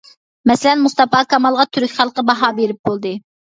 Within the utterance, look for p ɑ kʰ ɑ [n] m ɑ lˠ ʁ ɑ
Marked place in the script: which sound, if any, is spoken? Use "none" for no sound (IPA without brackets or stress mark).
none